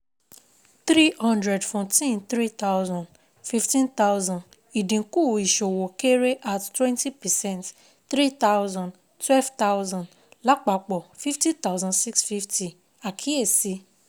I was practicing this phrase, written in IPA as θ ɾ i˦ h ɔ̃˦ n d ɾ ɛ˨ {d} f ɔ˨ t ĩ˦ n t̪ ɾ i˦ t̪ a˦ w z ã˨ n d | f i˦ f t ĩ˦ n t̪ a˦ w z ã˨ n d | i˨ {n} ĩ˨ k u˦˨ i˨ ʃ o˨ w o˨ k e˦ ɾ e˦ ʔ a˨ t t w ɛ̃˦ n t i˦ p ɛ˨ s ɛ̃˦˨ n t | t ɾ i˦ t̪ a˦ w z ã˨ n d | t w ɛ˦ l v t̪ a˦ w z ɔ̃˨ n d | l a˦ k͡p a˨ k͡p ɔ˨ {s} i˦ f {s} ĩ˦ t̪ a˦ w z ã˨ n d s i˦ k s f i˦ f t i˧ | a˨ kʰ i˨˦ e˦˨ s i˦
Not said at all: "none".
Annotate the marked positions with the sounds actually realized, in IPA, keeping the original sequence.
d, d, f, t

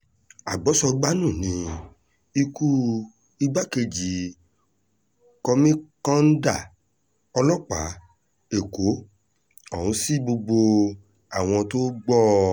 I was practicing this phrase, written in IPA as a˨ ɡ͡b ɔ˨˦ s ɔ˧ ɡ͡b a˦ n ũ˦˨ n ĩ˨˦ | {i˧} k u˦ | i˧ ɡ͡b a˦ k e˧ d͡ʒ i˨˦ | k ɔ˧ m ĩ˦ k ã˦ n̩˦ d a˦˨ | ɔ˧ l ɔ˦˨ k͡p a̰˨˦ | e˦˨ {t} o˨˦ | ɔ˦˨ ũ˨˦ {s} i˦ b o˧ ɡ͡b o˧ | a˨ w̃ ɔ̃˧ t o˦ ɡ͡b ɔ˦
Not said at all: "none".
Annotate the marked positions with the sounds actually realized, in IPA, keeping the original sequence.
i˧, k, s

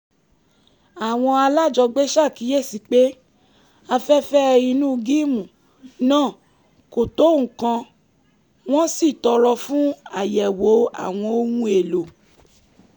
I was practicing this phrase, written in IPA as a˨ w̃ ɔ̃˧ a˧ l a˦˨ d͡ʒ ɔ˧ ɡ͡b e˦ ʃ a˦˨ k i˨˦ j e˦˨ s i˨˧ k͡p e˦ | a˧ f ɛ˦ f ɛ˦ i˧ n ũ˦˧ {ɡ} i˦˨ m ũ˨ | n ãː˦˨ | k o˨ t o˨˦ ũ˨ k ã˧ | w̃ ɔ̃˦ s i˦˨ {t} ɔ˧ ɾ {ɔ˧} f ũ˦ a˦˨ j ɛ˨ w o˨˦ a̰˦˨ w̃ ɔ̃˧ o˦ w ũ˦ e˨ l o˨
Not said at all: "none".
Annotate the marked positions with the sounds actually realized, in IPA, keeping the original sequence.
ɡ, t, ɔ˧

